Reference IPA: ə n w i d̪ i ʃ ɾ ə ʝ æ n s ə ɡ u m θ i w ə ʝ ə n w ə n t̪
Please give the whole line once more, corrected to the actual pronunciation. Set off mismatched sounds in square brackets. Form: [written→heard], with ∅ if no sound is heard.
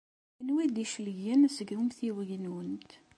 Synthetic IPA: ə n w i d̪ i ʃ [ɾ→l] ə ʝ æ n s ə ɡ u m θ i w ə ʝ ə n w ə n t̪